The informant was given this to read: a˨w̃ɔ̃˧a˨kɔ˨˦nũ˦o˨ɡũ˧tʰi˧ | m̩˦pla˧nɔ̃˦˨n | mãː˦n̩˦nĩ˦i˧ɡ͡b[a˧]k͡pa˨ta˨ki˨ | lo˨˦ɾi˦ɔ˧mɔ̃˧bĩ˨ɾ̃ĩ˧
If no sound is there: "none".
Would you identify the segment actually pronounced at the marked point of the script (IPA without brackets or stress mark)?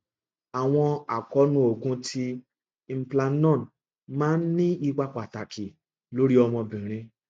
a˧